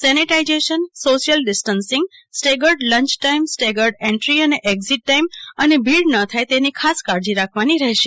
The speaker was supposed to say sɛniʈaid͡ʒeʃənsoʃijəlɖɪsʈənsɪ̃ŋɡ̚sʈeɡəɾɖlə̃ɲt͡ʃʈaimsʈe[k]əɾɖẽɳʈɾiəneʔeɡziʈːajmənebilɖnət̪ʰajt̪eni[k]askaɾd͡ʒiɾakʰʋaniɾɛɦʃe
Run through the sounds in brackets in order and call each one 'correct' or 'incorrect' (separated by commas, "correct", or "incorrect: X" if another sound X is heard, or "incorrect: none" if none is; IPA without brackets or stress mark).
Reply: incorrect: ɡ, incorrect: kʰ